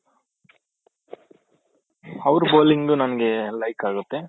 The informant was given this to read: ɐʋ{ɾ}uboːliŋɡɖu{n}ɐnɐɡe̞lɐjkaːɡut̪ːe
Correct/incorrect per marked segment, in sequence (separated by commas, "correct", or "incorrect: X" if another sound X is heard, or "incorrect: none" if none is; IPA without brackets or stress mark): correct, correct